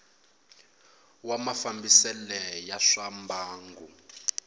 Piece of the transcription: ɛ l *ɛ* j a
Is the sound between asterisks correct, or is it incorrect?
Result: correct